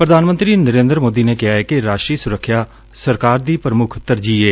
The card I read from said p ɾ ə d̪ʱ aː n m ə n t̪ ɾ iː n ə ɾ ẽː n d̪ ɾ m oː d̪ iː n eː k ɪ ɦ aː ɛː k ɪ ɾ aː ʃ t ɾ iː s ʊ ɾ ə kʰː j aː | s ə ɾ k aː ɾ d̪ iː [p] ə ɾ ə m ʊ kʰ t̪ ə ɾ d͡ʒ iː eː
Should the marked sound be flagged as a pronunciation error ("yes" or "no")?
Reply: no